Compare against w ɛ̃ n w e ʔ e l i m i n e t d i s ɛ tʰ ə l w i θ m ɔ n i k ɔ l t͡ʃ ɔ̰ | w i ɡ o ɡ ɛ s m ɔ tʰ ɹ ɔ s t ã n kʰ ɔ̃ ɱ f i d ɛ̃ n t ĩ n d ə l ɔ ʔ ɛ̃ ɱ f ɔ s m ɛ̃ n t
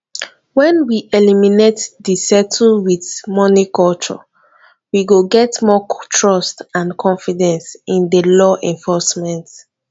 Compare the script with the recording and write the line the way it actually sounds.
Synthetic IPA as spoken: w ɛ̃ n w i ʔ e l i m i n e t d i s ɛ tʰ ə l w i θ m ɔ n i k ɔ l t͡ʃ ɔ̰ | w i ɡ o ɡ ɛ t m ɔ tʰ ɹ ɔ s t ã n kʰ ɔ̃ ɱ f i d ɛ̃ n s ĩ n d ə l ɔ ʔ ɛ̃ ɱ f ɔ s m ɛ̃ n t